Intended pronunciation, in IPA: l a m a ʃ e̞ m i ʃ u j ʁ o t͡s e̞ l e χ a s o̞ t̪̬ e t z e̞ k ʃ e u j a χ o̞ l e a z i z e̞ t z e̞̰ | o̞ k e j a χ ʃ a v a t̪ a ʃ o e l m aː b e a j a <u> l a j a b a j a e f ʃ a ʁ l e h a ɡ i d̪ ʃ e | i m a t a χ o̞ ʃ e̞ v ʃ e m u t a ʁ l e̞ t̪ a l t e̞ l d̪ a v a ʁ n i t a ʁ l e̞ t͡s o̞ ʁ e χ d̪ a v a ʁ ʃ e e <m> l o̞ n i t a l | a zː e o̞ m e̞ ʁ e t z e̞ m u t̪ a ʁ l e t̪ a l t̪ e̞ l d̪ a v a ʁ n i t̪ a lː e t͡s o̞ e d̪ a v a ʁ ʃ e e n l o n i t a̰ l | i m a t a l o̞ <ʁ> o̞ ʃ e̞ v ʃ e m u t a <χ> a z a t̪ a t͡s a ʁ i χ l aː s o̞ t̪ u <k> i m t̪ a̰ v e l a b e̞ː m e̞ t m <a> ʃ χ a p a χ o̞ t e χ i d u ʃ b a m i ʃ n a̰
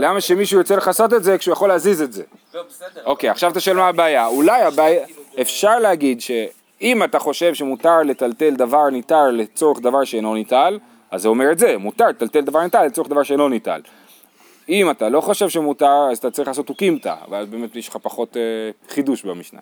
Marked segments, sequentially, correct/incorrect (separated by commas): correct, incorrect, incorrect, incorrect, correct, incorrect